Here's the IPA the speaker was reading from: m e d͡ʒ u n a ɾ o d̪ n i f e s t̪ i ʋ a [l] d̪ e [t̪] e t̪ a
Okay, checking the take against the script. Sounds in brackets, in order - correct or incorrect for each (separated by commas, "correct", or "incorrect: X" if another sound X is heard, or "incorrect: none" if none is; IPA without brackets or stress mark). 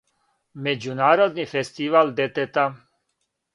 correct, correct